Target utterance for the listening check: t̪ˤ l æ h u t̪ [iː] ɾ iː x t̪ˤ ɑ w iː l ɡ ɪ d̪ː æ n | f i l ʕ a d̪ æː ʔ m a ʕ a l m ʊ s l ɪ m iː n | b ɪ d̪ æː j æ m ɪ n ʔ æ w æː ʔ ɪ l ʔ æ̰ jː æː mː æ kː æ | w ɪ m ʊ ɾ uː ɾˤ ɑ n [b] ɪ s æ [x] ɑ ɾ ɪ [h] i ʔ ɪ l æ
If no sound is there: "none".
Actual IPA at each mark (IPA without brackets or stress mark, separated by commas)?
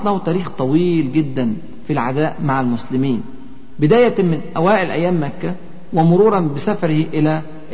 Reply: æː, b, f, h